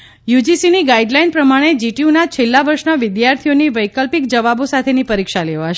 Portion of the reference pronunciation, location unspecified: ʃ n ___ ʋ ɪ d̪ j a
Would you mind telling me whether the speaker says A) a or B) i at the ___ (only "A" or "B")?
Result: A